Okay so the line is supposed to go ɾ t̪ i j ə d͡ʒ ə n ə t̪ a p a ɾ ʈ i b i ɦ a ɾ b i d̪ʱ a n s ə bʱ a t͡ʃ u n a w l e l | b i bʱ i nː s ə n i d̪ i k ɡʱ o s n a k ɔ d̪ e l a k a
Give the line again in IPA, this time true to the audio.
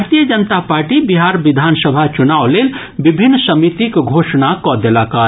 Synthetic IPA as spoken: ɾ t̪ i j ə d͡ʒ ə n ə t̪ a p a ɾ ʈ i b i ɦ a ɾ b i d̪ʱ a n s ə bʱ a t͡ʃ u n a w l e l | b i bʱ i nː s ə m i t̪ i k ɡʱ o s n a k ɔ d̪ e l a k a